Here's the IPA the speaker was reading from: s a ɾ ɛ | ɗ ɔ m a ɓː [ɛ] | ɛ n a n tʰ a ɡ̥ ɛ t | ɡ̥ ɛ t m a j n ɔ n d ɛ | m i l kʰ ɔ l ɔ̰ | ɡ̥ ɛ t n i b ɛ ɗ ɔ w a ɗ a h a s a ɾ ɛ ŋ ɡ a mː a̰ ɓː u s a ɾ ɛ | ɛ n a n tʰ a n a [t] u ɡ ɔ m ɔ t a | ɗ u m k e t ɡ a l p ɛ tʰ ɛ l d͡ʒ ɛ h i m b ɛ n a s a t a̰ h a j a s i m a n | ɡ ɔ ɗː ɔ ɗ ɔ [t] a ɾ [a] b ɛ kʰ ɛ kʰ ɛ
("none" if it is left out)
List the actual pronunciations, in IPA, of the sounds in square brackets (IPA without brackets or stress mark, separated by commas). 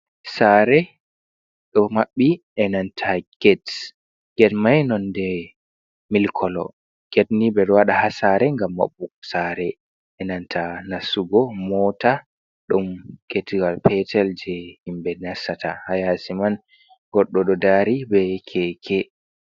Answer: i, s, d, i